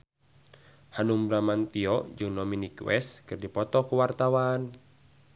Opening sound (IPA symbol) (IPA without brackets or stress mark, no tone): h